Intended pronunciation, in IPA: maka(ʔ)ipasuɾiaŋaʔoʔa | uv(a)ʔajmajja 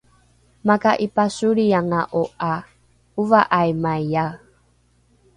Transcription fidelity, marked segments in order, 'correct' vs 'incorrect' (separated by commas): correct, correct